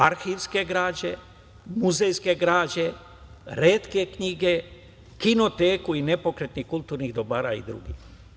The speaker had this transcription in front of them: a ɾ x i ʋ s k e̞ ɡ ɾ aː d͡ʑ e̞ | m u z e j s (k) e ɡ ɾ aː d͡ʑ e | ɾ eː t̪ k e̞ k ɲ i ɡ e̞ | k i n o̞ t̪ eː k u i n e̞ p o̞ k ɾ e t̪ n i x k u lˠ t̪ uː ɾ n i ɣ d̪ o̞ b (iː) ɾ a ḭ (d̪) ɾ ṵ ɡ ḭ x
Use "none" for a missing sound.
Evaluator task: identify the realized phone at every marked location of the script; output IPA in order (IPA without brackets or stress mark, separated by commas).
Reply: k, aː, d̪